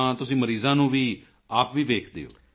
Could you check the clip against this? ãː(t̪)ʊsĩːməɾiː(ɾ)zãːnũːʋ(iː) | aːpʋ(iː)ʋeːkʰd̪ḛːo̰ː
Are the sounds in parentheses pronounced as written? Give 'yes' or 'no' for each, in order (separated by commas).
yes, no, yes, yes